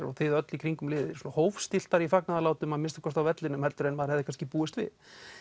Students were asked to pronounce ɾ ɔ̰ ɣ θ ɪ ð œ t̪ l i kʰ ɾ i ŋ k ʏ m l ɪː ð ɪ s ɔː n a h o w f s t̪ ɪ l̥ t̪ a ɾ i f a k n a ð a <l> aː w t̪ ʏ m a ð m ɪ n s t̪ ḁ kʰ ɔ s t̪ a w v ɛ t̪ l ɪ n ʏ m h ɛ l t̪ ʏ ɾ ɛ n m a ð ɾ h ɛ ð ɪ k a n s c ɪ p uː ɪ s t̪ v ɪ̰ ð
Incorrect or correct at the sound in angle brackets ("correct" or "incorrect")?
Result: correct